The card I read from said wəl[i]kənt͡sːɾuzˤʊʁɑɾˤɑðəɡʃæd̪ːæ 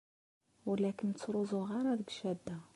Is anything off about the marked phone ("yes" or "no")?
yes